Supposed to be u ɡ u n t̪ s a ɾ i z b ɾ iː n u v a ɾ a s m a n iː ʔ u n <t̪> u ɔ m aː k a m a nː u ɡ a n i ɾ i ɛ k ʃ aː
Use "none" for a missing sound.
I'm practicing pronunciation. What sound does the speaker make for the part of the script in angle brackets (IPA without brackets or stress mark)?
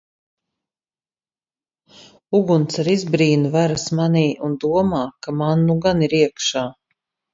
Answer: d̪